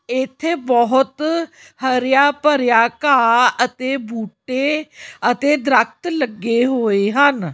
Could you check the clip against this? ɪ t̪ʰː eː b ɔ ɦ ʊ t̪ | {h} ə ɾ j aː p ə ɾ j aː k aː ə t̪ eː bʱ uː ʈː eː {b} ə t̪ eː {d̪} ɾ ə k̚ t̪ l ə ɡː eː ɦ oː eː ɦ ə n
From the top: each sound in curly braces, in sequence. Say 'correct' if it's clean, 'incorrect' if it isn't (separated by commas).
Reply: correct, incorrect, correct